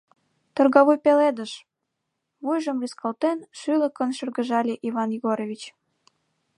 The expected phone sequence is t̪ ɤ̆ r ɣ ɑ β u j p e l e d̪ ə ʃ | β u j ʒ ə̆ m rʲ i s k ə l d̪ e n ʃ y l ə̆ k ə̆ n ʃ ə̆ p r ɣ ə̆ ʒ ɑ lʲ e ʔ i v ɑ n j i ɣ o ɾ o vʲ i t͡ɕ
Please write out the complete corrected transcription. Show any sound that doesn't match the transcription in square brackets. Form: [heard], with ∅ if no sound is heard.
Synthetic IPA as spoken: t̪ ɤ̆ r ɣ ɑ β u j p e l e d̪ ə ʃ | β u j ʒ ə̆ m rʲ i s k [ɑ] l [t̪] e n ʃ y l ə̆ k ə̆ n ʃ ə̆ [∅] r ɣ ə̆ ʒ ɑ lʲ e ʔ i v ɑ n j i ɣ o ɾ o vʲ i t͡ɕ